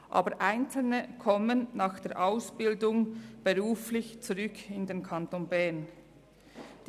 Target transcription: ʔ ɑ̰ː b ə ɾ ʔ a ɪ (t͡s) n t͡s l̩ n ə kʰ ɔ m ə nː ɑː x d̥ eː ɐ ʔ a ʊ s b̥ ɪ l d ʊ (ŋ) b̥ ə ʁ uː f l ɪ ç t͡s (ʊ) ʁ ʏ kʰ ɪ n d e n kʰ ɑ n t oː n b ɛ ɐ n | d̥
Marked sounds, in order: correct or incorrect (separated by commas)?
incorrect, correct, incorrect